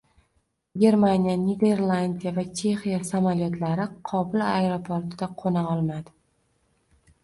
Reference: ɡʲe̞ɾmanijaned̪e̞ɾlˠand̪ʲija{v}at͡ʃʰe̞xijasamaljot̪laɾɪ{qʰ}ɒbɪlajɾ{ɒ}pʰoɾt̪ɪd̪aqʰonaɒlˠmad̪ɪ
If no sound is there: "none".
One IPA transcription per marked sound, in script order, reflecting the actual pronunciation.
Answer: v, qʰ, o

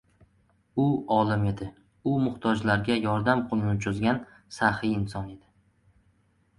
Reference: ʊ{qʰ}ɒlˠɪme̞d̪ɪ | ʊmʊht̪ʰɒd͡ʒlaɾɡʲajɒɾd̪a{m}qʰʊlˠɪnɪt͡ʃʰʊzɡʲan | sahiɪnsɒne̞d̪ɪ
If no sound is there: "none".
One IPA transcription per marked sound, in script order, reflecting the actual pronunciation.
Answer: none, m

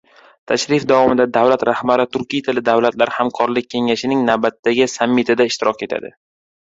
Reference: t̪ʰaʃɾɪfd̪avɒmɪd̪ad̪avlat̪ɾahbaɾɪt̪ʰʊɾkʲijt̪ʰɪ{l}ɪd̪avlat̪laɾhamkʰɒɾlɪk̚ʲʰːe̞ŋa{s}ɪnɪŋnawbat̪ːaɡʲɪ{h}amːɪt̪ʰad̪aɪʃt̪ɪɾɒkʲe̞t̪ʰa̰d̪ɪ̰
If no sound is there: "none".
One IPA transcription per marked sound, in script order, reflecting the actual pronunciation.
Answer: l, ʃ, s

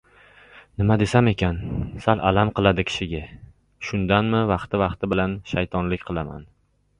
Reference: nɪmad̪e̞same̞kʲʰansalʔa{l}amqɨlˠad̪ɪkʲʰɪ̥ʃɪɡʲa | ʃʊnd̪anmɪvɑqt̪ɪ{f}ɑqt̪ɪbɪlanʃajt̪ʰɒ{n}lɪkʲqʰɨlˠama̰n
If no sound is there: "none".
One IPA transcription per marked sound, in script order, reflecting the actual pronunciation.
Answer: l, v, n

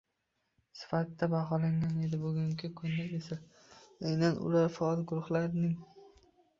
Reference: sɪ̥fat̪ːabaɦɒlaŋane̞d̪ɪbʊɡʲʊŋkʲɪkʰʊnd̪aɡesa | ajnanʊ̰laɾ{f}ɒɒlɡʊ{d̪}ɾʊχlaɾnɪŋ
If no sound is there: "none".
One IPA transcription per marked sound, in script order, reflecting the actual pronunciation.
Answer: f, none

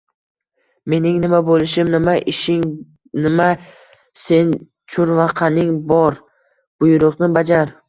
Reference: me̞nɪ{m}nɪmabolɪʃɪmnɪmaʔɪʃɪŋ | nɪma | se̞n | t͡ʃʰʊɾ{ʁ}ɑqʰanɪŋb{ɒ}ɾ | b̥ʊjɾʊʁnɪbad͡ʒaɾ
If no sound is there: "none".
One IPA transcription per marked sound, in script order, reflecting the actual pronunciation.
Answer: ŋ, v, ɒ

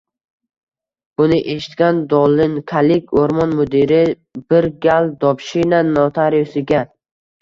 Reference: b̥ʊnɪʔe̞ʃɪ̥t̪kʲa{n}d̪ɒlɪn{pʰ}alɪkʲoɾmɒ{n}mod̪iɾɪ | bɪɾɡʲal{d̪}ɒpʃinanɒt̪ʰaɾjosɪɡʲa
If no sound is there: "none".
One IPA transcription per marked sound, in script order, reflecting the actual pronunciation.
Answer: n, kʰ, n, d̪

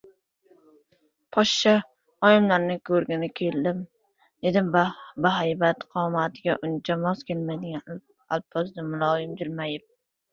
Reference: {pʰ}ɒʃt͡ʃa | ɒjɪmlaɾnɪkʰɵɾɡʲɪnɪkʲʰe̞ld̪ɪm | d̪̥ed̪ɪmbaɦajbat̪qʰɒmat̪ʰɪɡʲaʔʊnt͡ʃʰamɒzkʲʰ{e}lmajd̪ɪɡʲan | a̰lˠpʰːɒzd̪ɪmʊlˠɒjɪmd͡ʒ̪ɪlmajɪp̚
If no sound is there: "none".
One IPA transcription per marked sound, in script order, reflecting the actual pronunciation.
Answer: pʰ, e

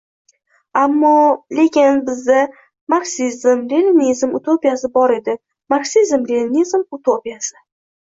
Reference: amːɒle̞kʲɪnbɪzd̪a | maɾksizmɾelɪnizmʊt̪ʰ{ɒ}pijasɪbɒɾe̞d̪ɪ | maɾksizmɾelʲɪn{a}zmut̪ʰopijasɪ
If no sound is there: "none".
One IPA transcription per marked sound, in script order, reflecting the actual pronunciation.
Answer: o, i

